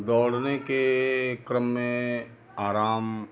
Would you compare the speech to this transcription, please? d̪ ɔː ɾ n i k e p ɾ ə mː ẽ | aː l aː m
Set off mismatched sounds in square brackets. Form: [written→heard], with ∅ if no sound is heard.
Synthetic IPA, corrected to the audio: d̪ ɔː [ɾ→ɽ] n [i→e] k e [p→k] ɾ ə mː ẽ | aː [l→ɾ] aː m